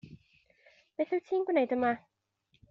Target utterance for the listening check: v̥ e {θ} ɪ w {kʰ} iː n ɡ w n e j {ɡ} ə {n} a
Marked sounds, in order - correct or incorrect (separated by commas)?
correct, incorrect, incorrect, incorrect